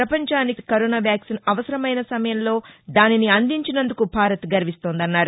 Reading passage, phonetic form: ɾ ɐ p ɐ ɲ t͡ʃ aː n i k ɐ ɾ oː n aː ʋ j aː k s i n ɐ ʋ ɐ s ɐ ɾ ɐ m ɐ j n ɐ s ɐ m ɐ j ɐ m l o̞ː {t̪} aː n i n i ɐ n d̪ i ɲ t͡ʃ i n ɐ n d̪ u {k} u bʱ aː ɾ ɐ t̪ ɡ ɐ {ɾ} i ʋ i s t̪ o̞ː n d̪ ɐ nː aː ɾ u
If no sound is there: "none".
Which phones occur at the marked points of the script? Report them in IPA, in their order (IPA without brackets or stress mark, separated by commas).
d̪, k, ɾ